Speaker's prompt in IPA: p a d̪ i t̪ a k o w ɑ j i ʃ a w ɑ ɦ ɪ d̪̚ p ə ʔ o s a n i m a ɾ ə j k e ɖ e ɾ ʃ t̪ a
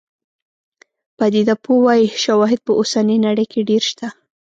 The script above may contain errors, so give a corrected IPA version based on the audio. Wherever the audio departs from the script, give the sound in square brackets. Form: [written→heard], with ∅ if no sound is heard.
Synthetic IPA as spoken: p a d̪ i [t̪→d̪] a [k→p] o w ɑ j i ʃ a w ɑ ɦ ɪ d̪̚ p ə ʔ o s a n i [m→n] a [ɾ→ɽ] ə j k e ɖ e ɾ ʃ t̪ a